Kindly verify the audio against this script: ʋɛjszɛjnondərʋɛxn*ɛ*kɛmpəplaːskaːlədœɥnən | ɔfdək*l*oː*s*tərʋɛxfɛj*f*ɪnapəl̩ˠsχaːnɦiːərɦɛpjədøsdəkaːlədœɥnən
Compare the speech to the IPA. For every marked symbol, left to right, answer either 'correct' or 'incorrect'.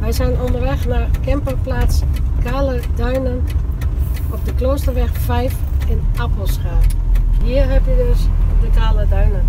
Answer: incorrect: a, correct, correct, correct

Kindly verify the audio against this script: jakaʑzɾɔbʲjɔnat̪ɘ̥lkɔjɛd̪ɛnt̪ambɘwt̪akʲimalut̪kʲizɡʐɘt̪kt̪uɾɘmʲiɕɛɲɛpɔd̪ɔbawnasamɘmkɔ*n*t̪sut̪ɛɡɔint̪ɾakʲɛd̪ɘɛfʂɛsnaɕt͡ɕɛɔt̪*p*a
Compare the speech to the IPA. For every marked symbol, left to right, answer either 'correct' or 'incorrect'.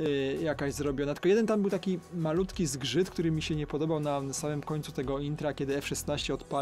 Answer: incorrect: ɲ, correct

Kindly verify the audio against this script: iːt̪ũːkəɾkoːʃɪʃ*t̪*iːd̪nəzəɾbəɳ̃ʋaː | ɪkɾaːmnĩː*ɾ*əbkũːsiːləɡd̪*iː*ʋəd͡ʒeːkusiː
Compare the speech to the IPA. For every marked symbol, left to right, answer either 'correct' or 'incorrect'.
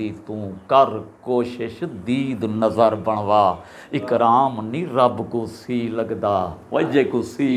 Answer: incorrect: d̪, correct, incorrect: aː

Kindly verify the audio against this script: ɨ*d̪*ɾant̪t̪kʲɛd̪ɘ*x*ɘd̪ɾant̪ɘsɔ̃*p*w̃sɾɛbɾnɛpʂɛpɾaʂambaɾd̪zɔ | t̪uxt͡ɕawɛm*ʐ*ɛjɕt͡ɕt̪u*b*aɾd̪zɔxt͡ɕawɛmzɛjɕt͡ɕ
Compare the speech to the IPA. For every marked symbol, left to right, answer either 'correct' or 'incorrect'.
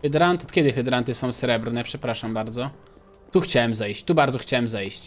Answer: correct, correct, incorrect: none, incorrect: z, correct

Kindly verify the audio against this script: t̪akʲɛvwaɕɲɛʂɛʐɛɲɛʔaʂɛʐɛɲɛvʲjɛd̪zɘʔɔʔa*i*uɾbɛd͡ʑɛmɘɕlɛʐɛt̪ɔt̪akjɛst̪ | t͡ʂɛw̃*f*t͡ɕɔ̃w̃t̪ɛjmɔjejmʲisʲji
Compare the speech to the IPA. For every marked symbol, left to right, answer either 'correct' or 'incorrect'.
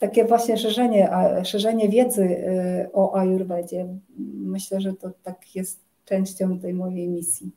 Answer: incorrect: j, incorrect: ɕ

